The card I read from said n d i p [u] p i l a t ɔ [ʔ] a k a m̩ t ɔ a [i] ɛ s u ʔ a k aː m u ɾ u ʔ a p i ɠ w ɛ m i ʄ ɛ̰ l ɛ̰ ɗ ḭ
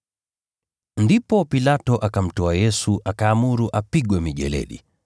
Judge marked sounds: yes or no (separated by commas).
no, yes, no